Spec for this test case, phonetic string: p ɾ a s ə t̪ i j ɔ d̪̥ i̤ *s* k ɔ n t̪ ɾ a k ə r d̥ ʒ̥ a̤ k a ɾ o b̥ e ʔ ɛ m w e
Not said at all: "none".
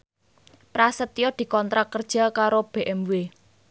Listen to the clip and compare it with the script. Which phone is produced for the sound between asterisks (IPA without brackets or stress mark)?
none